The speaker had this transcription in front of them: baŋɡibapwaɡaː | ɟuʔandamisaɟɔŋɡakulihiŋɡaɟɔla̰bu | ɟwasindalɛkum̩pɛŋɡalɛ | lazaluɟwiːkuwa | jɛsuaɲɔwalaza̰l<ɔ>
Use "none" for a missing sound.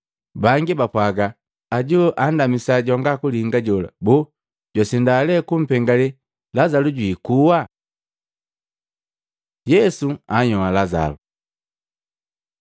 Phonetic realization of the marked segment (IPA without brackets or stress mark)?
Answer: u